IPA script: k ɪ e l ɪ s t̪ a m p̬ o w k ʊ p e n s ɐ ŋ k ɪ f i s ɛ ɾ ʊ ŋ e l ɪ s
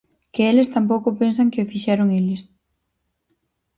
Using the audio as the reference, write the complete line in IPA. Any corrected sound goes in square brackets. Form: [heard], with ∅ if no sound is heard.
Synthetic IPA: k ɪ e l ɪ s t̪ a m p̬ o w k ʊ p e n s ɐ ŋ k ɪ f i [ʃ] ɛ ɾ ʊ ŋ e l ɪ s